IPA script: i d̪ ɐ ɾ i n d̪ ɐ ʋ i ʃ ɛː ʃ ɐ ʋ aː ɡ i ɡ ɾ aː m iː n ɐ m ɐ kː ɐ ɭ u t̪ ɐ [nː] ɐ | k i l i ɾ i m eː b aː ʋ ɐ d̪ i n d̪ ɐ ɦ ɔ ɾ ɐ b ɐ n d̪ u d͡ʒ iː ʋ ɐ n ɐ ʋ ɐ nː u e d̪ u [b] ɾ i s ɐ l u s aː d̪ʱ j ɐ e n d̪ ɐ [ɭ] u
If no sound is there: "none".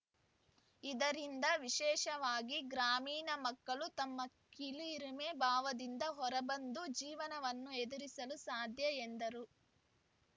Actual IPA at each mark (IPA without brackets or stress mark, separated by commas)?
mː, none, ɾ